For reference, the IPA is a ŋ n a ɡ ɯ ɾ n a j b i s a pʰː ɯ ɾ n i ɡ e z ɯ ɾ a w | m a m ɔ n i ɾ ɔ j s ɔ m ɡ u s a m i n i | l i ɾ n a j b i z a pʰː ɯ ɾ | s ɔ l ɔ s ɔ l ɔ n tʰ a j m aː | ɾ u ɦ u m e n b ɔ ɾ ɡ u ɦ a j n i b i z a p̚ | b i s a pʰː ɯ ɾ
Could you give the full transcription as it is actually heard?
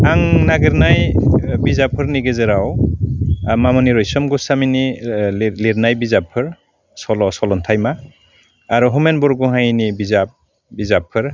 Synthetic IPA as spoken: a ŋ n a ɡ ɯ ɾ n a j b i z a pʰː ɯ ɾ n i ɡ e z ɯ ɾ a w | m a m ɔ n i ɾ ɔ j s ɔ m ɡ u s a m i n i | l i ɾ n a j b i z a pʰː ɯ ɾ | s ɔ l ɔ s ɔ l ɔ n tʰ a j m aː | ɾ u ɦ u m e n b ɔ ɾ ɡ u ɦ a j n i b i z a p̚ | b i z a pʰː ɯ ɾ

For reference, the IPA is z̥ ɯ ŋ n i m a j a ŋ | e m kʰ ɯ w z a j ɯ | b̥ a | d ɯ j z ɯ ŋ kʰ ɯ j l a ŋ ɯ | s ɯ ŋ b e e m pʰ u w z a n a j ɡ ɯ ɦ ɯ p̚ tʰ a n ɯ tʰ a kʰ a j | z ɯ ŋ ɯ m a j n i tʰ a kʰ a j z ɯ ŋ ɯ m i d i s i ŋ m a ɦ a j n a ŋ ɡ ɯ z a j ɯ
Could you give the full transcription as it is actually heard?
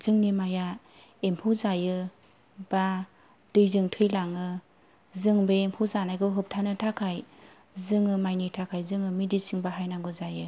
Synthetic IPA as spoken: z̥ ɯ ŋ n i m a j a | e m pʰ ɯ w z a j ɯ | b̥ a | d ɯ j z ɯ ŋ tʰ ɯ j l a ŋ ɯ | z ɯ ŋ b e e m pʰ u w z a n a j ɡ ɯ ɦ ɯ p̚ tʰ a n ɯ tʰ a kʰ a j | z ɯ ŋ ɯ m a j n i tʰ a kʰ a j z ɯ ŋ ɯ m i d i s i ŋ b a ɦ a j n a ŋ ɡ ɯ z a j ɯ

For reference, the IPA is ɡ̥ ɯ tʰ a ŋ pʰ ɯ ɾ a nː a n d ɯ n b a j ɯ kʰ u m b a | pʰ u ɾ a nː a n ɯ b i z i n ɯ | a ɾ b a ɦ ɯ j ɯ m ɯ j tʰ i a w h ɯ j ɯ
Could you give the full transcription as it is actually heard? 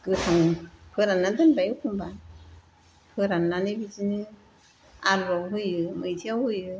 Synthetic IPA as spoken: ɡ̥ ɯ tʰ a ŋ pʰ ɯ ɾ a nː a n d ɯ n b a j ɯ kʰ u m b a | pʰ ɯ ɾ a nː a n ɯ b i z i n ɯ | a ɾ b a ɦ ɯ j ɯ m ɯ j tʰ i a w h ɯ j ɯ

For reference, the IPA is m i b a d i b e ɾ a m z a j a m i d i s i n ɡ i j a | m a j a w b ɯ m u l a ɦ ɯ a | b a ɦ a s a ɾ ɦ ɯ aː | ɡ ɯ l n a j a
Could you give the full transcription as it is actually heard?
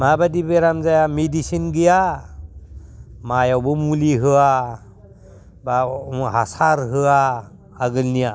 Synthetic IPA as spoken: m a b a d i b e ɾ a m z a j a m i d i s i n ɡ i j a | m a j a w b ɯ m u l i ɦ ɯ a | b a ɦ a s a ɾ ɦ ɯ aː | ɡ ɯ l n i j a

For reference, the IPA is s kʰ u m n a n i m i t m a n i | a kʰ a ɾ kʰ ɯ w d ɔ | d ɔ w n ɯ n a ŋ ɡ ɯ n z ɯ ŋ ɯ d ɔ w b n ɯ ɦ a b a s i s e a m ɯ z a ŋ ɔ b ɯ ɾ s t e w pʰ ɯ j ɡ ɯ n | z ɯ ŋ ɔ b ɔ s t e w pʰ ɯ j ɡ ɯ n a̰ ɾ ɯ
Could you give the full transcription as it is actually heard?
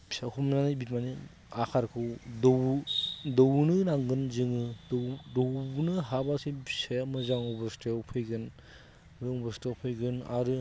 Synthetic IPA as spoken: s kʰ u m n a n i b i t m a n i | a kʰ a ɾ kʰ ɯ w d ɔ | d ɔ w n ɯ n a ŋ ɡ ɯ n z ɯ ŋ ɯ d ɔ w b n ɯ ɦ a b a s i s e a m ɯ z a ŋ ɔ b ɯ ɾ s t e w pʰ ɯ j ɡ ɯ n | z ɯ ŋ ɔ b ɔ s t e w pʰ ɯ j ɡ ɯ n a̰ ɾ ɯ

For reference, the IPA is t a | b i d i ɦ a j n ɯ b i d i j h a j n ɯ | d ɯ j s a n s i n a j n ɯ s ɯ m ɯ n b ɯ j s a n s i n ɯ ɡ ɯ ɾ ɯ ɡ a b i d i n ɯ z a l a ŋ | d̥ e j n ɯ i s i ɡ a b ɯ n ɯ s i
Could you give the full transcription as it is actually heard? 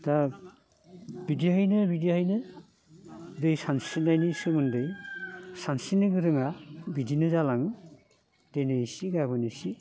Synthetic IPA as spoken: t a | b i d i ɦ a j n ɯ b i d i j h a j n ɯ | d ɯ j s a n s i n a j n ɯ s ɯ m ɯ n d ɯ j s a n s i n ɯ ɡ ɯ ɾ ɯ ŋ a b i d i n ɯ z a l a ŋ | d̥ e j n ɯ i s i ɡ a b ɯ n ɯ s i

